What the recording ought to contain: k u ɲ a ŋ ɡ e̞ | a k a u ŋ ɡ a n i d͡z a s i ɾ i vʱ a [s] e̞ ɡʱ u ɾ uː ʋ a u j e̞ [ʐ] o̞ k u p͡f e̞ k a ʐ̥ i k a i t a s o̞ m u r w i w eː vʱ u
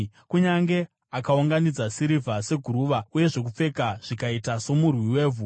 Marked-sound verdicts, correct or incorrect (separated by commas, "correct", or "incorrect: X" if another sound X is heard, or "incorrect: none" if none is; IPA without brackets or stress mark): correct, correct